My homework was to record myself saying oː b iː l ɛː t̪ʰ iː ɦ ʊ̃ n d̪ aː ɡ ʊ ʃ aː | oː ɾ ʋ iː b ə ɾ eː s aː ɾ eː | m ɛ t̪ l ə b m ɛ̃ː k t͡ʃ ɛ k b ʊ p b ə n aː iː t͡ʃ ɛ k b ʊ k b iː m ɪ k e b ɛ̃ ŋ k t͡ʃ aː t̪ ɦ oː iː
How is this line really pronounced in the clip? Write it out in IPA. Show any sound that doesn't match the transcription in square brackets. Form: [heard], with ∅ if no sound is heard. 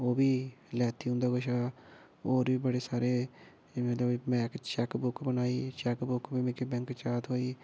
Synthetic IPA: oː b iː l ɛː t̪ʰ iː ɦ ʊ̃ n d̪ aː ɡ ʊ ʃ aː | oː ɾ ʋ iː b ə [ɽ] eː s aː ɾ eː | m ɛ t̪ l ə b m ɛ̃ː k t͡ʃ ɛ k b ʊ [k] b ə n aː iː t͡ʃ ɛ k b ʊ k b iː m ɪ k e b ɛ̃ ŋ k t͡ʃ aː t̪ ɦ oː iː